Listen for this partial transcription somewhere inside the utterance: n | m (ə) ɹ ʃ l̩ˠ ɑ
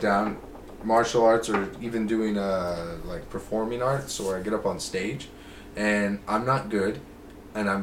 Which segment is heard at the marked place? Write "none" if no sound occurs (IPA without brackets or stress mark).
ɑ